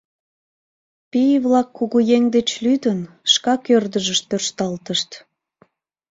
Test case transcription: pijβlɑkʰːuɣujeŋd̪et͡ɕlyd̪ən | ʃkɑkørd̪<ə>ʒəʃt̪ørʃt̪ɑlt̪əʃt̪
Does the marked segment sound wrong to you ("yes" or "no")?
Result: no